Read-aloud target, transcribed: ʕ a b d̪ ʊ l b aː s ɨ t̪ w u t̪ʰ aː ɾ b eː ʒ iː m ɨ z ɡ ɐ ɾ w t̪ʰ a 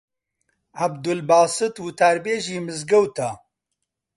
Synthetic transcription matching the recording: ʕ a b d̪ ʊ l b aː s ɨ t̪ w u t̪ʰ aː ɾ b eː ʒ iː m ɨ z ɡ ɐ w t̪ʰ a

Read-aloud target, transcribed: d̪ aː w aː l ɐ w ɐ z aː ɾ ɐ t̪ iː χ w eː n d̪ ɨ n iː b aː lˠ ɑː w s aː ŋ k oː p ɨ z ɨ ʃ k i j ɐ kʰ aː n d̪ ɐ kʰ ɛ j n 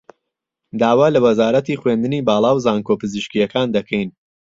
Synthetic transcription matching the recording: d̪ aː w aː l ɐ w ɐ z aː ɾ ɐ t̪ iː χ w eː n d̪ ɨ n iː b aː lˠ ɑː w z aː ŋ k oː p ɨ z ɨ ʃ k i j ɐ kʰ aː n d̪ ɐ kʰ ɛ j n

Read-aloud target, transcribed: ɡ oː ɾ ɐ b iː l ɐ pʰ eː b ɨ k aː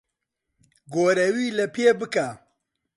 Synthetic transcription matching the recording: ɡ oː ɾ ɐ w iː l ɐ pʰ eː b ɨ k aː

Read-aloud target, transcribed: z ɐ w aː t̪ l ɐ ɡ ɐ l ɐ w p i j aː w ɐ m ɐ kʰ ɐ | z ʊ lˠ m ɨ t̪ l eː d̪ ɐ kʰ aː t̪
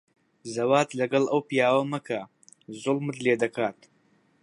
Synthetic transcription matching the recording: z ɐ w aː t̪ l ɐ ɡ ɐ l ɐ w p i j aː w ɐ m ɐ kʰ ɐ | z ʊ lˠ m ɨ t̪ l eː d̪ ɐ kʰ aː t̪

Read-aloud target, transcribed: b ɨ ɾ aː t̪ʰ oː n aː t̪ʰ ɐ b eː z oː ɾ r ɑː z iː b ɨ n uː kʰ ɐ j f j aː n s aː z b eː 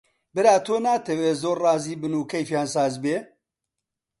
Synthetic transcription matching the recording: b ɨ ɾ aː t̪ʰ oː n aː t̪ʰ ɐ w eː z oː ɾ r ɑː z iː b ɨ n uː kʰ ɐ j f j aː n s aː z b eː

